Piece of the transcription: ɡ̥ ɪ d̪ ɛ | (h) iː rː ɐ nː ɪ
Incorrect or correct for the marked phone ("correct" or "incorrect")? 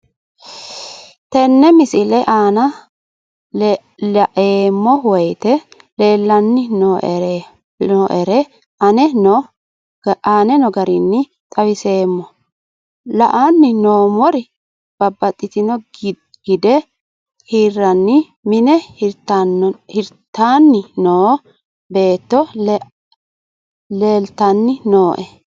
correct